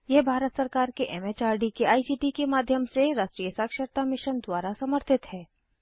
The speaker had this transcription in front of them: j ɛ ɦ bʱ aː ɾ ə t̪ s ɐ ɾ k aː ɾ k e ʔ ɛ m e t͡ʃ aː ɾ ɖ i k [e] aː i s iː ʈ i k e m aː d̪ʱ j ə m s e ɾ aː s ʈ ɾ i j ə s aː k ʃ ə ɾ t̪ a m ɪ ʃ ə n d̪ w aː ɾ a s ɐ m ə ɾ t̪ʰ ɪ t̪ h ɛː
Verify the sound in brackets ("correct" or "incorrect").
correct